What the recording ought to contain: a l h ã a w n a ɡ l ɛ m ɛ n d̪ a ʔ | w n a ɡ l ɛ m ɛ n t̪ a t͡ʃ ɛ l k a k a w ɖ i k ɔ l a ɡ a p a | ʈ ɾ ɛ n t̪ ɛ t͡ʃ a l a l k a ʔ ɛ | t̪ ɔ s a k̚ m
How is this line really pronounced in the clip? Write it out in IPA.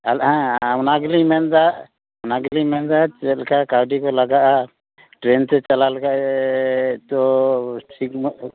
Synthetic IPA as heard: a l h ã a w n a ɡ l i m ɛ n d̪ a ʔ | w n a ɡ l i m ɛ n d̪ a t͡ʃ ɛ l k a k a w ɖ i k ɔ l a ɡ a ʔ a | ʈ ɾ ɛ n t̪ ɛ t͡ʃ a l a l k a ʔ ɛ | t̪ ɔ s i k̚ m